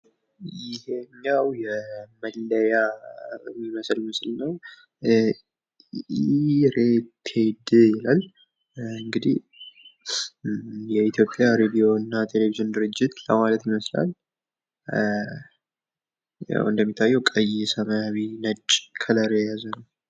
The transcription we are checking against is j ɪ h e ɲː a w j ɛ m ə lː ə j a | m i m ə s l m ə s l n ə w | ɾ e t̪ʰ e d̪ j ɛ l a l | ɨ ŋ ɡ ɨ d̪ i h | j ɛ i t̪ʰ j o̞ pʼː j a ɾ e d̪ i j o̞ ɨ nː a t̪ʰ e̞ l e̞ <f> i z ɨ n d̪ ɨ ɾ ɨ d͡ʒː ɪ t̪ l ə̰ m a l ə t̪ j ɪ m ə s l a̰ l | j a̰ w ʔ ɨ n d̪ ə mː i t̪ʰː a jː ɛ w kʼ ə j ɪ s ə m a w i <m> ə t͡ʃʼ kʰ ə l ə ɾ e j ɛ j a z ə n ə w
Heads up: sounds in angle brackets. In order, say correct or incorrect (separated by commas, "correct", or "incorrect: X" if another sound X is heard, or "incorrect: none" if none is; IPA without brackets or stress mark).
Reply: incorrect: v, incorrect: n